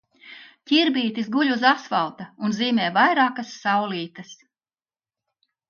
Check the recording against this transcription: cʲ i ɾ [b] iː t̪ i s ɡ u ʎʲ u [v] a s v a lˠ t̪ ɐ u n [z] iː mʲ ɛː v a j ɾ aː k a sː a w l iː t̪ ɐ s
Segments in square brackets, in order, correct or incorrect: correct, incorrect: z, correct

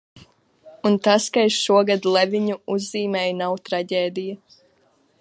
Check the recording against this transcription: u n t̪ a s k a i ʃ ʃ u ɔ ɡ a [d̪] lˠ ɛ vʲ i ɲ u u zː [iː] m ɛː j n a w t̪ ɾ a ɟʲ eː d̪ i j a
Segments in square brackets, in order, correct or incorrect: correct, correct

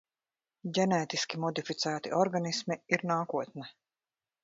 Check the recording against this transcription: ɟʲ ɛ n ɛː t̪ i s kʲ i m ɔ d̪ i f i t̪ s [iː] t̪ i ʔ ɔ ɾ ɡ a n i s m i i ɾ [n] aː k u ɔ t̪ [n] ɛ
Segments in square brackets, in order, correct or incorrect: incorrect: æː, correct, correct

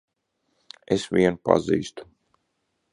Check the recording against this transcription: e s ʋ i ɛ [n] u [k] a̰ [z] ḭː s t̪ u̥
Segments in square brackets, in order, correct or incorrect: correct, incorrect: p, correct

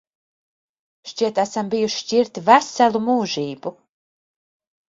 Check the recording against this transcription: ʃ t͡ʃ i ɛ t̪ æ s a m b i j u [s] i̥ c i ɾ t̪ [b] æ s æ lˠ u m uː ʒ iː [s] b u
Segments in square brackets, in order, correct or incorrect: incorrect: ʃ, incorrect: v, incorrect: none

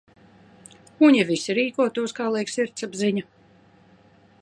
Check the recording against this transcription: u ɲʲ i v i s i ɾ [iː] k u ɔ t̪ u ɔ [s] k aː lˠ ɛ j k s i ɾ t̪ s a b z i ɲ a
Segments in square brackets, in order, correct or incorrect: correct, correct

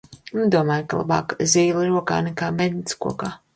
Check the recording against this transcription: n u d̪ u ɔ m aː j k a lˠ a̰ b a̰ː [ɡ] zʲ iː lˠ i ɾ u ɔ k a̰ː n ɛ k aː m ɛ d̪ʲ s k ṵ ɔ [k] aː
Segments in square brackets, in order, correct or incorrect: incorrect: k, correct

